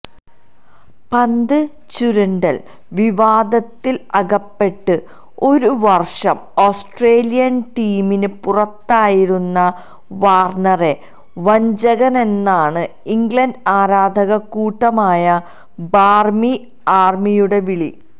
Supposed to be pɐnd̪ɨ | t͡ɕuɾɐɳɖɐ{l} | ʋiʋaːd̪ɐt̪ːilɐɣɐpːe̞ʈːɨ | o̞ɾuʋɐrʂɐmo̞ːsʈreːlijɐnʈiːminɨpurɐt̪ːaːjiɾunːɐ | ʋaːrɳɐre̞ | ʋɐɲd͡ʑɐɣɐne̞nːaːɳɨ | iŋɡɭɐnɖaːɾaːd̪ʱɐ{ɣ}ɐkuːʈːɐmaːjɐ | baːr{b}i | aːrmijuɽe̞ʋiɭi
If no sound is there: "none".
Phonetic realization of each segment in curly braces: l, ɣ, m

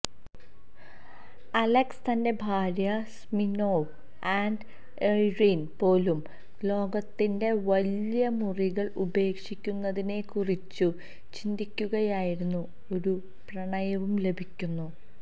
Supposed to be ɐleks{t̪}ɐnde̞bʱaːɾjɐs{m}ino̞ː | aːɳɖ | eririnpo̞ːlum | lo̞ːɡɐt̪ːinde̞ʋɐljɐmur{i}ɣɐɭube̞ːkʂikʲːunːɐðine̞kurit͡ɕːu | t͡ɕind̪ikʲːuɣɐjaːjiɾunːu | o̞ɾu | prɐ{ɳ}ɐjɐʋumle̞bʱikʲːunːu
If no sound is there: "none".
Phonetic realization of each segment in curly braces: t̪, m, i, ɳ

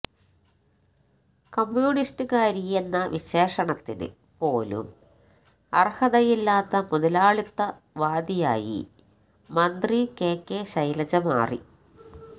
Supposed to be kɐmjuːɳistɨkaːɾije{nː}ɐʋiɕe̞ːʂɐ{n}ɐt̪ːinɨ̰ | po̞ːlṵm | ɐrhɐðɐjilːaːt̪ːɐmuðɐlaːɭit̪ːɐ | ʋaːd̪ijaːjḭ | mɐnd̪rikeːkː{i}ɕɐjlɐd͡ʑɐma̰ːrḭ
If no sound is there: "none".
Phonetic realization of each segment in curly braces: nː, ɳ, e

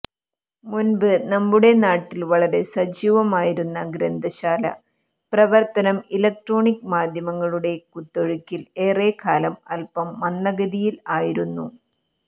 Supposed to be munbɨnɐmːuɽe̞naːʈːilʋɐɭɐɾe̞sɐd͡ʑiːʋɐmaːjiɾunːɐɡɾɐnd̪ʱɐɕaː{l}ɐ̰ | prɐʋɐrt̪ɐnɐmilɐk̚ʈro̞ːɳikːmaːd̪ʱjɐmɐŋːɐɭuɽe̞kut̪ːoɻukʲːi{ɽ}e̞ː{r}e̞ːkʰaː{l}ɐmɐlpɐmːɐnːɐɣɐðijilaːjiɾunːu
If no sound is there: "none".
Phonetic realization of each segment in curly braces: l, l, r, l

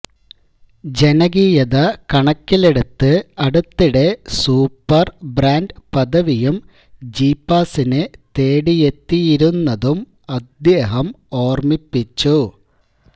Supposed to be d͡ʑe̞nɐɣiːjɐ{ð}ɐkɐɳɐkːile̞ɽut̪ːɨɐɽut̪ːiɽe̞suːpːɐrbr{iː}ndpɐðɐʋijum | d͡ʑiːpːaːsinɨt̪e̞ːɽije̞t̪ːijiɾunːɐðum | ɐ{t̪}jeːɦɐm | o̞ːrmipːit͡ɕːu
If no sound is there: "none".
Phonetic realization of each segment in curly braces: ð, aː, d̪

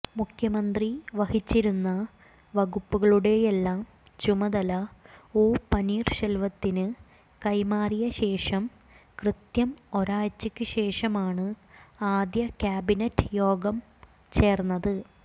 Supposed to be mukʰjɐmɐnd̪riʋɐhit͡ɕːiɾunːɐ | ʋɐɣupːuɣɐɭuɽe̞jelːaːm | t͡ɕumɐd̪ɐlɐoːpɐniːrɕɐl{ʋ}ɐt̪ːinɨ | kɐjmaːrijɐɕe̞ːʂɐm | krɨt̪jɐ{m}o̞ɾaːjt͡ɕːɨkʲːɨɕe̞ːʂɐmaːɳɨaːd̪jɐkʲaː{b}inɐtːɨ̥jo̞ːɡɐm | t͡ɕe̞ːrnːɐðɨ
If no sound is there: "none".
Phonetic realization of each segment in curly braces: ʋ, m, b

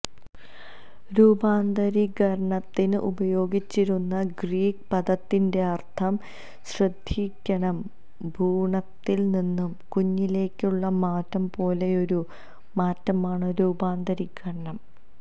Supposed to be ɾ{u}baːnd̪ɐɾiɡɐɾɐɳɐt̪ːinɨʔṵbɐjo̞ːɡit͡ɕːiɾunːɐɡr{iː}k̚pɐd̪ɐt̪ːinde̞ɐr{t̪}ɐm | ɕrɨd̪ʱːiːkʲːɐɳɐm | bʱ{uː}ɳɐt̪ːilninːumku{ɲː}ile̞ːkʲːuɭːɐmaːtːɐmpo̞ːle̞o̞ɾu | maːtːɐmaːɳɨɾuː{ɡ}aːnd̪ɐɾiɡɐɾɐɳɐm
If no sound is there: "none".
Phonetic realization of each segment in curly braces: uː, iː, t̪ʰ, uː, ɲː, b

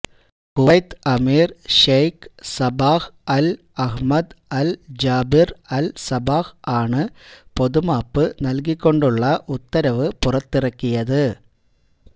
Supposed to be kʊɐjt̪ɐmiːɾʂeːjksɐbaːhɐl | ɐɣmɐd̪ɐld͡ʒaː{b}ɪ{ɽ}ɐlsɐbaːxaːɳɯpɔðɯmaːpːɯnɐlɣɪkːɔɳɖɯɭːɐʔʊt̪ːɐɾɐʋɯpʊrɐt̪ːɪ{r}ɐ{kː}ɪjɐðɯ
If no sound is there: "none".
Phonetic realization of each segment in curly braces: b, ɾ, r, kː

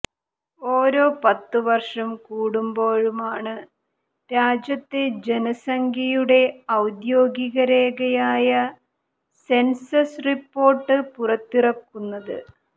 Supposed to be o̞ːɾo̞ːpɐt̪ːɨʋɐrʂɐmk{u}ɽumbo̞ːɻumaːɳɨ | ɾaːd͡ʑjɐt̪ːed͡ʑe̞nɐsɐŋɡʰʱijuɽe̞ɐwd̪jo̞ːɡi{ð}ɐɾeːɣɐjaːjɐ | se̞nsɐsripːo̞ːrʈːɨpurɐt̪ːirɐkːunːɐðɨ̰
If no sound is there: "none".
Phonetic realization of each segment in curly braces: uː, ɣ

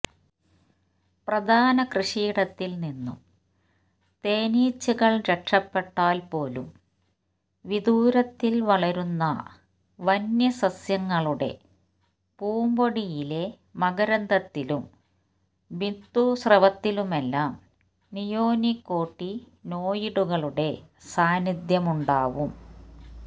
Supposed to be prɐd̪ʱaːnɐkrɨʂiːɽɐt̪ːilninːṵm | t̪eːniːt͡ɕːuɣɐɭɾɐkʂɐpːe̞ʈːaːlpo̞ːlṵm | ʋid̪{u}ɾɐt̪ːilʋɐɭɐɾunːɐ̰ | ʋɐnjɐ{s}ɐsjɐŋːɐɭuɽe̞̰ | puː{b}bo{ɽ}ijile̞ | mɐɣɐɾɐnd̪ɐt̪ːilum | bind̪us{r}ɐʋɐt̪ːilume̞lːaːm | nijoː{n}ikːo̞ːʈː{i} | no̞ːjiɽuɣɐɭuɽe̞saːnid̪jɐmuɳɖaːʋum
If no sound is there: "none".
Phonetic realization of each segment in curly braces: uː, s, m, ɽ, r, n, i

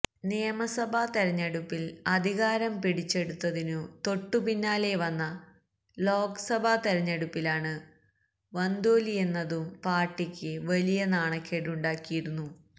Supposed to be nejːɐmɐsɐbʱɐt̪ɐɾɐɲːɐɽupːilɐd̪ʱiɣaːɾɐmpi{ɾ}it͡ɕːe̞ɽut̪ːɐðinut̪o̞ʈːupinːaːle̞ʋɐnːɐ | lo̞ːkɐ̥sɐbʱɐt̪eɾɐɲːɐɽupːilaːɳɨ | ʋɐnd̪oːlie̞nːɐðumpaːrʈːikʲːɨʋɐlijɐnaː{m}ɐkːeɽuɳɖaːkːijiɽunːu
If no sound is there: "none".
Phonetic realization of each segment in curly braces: ɽ, ɳ

